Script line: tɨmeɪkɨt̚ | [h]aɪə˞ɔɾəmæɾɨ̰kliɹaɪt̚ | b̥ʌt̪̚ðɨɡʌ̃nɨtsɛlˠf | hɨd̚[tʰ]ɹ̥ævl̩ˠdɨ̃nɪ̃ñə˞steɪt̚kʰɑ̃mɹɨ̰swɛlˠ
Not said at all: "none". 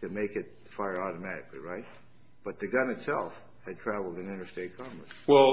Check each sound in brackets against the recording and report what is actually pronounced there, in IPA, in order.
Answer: f, tʰ

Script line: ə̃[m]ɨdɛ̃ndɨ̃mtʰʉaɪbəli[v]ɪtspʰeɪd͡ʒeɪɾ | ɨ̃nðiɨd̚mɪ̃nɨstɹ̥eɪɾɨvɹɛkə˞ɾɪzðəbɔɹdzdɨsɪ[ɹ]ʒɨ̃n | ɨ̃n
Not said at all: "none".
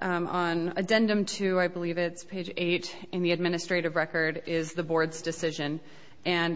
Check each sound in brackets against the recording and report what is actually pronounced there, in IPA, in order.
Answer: n, v, none

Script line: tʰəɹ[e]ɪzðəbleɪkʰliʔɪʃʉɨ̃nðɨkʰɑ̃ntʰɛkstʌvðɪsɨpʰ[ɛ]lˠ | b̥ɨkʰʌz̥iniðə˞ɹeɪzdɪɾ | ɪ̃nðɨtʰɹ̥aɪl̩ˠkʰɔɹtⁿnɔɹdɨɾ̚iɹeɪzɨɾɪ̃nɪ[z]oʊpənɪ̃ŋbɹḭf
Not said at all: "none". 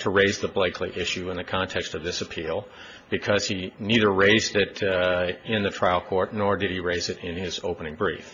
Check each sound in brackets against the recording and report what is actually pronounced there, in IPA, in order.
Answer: e, i, z

